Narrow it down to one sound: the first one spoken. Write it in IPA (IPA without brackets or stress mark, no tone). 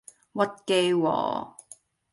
w